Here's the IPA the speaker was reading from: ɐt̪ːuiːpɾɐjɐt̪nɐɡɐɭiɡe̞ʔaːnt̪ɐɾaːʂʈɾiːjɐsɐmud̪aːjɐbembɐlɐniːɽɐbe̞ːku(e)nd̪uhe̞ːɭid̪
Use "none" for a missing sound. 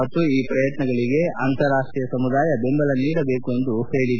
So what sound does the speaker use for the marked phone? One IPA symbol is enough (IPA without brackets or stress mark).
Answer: e